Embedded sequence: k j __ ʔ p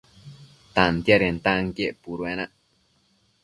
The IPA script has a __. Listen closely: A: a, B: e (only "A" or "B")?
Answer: B